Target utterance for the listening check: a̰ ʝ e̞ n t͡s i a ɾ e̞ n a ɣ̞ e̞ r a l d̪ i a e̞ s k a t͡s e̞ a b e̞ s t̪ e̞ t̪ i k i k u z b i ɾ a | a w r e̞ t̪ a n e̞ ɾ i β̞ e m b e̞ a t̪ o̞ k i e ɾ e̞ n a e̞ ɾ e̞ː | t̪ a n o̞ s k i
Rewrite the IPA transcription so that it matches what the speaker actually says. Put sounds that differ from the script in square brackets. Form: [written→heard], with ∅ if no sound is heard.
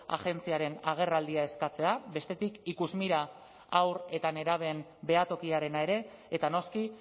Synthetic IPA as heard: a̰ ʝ e̞ n t͡s i a ɾ e̞ n a ɣ̞ e̞ r a l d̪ i a e̞ s k a t͡s e̞ a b e̞ s t̪ e̞ t̪ i k i k u z [b→m] i ɾ a | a w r e̞ t̪ a n e̞ ɾ [i→a] β̞ e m b e̞ a t̪ o̞ k i [e→a] ɾ e̞ n a e̞ ɾ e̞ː | t̪ a n o̞ s k i